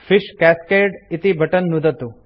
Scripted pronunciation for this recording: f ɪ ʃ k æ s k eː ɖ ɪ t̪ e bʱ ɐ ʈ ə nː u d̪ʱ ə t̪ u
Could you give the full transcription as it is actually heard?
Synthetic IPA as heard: f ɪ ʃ k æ s k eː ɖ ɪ t̪ i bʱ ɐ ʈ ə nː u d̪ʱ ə t̪ u